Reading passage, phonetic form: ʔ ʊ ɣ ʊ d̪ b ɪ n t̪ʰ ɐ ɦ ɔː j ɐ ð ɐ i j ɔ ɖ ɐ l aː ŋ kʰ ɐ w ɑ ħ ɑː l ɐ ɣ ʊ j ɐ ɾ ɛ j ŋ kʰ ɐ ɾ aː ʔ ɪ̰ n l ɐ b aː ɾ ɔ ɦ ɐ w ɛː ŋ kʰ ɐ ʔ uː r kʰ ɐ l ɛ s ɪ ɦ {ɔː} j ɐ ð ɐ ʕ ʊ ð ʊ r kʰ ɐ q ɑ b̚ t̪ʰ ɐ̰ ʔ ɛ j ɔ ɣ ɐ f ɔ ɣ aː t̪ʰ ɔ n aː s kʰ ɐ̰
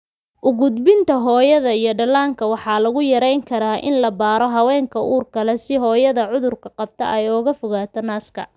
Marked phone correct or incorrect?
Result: correct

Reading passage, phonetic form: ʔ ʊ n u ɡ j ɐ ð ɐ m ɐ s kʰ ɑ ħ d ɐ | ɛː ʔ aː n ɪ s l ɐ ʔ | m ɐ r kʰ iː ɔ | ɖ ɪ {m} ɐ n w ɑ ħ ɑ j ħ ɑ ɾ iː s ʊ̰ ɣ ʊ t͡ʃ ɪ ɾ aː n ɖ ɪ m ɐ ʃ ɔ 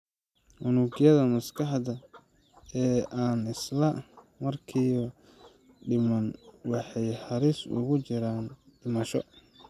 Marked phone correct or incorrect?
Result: correct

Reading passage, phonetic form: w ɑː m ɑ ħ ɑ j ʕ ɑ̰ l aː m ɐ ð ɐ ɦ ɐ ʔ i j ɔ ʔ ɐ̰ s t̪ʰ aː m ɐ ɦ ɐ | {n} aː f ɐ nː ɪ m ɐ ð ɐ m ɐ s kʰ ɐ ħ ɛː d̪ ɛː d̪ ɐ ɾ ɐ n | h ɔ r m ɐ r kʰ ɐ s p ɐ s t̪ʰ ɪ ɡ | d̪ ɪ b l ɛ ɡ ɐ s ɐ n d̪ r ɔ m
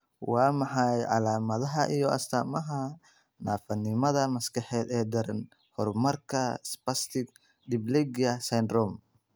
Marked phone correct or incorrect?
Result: correct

